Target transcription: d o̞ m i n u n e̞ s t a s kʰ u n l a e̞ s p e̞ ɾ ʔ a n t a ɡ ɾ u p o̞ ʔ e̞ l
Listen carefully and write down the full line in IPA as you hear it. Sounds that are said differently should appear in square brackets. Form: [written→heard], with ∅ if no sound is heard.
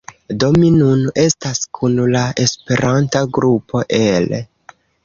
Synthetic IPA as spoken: d o̞ m i n u n e̞ s t a s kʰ u n l a e̞ s p e̞ ɾ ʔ a n t a ɡ ɾ u p o̞ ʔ e̞ l